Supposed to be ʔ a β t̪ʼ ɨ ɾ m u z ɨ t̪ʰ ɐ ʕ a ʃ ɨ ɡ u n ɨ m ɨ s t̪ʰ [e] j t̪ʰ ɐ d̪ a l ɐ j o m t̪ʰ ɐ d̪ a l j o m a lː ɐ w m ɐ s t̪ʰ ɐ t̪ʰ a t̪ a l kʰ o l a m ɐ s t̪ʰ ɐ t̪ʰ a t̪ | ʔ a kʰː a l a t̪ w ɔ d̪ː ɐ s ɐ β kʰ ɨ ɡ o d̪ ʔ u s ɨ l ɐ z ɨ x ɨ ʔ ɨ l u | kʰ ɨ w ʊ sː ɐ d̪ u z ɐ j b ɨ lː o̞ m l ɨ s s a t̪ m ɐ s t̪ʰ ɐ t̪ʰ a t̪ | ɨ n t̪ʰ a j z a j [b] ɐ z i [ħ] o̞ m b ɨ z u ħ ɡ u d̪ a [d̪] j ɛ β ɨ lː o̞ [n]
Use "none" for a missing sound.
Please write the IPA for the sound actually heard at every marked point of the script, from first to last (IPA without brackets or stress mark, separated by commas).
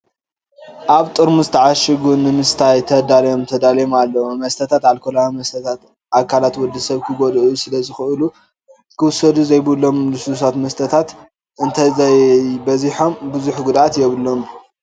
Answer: a, b, ħ, t̪, m